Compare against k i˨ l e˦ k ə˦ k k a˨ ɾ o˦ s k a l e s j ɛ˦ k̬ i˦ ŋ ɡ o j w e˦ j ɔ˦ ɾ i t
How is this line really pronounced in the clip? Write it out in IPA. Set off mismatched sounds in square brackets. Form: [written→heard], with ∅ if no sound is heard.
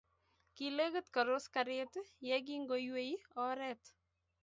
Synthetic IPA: k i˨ l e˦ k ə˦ [k→t] k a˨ ɾ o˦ s k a [l→ɾ] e [s→t] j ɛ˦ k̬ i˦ ŋ ɡ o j w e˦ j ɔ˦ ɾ [i→ɛ] t